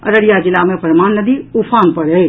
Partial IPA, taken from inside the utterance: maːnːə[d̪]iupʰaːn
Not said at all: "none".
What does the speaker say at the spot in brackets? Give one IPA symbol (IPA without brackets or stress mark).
d̪